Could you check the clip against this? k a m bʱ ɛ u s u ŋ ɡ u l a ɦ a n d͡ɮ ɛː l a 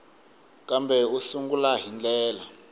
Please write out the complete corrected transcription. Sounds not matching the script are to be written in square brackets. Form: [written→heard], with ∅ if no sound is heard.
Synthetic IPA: k a m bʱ ɛ u s u ŋ ɡ u l a ɦ [a→i] n d͡ɮ ɛː l a